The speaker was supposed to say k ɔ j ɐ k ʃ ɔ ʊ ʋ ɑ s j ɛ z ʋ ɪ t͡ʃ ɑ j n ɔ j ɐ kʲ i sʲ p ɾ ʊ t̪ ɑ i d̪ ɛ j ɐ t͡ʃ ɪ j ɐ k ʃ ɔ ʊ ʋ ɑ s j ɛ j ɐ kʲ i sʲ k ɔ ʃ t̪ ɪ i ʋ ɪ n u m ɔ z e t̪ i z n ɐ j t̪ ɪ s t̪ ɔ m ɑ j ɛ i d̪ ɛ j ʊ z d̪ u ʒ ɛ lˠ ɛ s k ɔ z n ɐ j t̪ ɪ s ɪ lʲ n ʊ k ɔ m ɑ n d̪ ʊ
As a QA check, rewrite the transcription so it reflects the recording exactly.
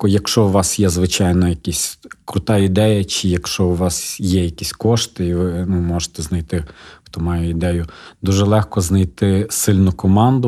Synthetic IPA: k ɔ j ɐ k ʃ ɔ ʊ ʋ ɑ s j ɛ z ʋ ɪ t͡ʃ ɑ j n ɔ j ɐ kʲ i sʲ k ɾ ʊ t̪ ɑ i d̪ ɛ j ɐ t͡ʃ ɪ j ɐ k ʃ ɔ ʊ ʋ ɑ s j ɛ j ɐ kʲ i sʲ k ɔ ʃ t̪ ɪ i ʋ ɪ n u m ɔ ʒ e t̪ ɛ z n ɐ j t̪ ɪ x t̪ ɔ m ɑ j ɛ i d̪ ɛ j ʊ d̪ u ʒ ɛ lˠ ɛ x k ɔ z n ɐ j t̪ ɪ s ɪ lʲ n ʊ k ɔ m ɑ n d̪ ʊ